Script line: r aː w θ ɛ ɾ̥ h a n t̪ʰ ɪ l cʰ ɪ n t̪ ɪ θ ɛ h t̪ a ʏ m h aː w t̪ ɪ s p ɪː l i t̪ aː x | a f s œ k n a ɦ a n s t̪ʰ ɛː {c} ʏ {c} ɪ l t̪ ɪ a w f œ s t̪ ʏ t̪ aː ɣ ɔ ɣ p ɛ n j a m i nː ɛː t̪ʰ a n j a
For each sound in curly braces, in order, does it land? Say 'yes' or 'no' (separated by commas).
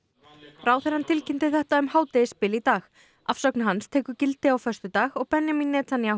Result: no, yes